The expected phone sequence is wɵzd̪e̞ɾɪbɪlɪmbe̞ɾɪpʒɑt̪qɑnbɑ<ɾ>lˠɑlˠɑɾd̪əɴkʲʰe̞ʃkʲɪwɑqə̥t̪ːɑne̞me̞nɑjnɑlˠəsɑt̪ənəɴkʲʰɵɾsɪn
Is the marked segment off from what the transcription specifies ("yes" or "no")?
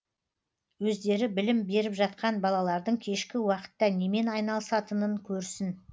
yes